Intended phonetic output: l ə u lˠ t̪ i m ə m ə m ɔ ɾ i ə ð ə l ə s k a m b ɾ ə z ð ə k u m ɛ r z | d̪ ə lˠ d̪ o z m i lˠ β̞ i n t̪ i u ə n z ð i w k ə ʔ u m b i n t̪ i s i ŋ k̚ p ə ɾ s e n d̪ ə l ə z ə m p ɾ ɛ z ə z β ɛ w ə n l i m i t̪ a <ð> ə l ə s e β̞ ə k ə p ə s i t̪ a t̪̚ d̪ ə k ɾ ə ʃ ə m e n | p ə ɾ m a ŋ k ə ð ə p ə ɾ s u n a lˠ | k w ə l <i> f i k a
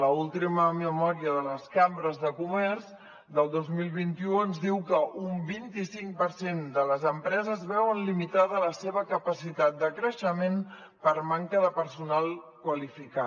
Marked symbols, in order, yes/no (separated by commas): yes, yes